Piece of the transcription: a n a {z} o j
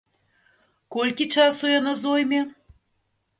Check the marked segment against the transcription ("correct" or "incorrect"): correct